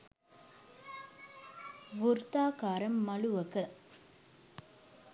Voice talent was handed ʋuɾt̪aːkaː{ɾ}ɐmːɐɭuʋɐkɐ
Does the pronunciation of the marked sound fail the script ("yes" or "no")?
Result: no